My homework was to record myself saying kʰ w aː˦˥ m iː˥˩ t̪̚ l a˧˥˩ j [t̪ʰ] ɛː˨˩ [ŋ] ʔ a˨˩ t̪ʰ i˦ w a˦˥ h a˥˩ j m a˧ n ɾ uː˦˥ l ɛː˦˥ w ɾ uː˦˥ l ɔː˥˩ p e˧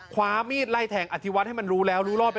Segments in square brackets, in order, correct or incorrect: correct, correct

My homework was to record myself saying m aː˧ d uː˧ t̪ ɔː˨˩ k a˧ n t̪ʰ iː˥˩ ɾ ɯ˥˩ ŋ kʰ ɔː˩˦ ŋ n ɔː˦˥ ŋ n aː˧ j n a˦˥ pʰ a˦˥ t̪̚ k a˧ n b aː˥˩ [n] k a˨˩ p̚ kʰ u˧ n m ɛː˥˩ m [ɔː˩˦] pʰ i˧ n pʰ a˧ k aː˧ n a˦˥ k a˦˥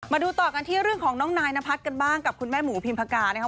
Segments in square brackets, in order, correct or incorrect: incorrect: ŋ, incorrect: uː˩˦

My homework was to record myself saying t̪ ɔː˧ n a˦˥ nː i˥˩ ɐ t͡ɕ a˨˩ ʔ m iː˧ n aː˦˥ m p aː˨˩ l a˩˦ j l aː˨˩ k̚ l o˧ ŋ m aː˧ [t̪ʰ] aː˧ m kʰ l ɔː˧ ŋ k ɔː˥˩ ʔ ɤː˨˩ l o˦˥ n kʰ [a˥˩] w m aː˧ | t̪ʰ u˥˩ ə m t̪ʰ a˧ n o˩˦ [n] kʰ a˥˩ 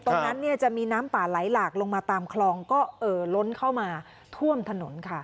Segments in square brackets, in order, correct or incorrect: incorrect: t̪, correct, correct

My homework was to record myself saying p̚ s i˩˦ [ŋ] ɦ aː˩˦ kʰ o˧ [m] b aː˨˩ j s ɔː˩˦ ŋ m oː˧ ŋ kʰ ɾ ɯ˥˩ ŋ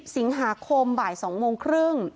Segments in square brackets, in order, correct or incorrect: correct, correct

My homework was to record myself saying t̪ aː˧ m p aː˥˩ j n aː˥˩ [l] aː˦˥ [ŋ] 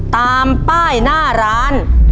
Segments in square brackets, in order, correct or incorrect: incorrect: ɾ, incorrect: n

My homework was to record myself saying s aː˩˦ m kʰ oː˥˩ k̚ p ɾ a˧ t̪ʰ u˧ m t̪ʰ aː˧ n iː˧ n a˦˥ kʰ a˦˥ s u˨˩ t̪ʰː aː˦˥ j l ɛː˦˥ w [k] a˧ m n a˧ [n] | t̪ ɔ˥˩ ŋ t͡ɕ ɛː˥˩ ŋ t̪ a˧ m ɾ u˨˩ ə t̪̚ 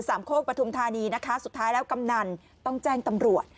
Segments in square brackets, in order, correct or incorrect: correct, correct

